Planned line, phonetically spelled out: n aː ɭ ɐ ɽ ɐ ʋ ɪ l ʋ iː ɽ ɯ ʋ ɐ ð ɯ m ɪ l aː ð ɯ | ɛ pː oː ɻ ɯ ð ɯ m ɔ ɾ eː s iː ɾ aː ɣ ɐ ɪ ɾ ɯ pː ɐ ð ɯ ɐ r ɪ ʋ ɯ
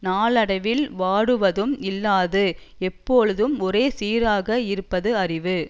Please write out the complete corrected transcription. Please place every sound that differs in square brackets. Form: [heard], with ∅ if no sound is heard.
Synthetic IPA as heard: n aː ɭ ɐ ɽ ɐ ʋ ɪ l ʋ [aː] ɽ ɯ ʋ ɐ ð ɯ m ɪ [lː] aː ð ɯ | ɛ pː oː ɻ ɯ ð ɯ m ɔ ɾ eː s iː ɾ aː ɣ ɐ ɪ ɾ ɯ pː ɐ ð ɯ ɐ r ɪ ʋ ɯ